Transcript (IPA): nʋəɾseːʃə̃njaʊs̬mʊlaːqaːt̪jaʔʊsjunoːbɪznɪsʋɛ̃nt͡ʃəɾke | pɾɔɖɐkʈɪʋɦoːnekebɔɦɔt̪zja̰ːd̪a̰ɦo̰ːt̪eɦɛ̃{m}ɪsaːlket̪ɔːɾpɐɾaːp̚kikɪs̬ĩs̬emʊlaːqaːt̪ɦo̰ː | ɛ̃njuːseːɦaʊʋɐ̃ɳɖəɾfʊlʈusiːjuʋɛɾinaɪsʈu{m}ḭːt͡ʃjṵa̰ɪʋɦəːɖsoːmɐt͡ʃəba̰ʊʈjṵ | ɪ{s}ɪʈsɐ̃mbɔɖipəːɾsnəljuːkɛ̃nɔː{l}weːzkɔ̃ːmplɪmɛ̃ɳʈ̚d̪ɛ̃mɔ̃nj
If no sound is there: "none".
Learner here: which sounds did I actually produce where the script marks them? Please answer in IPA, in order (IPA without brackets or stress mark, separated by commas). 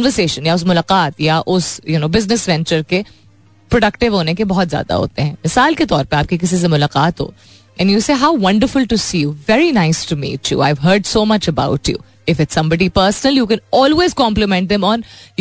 m, m, f, l